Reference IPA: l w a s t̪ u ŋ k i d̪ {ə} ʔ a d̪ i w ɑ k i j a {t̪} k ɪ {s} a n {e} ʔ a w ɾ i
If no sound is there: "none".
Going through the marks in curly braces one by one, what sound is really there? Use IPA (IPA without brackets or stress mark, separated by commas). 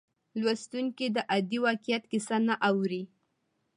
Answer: ə, t̪, s, a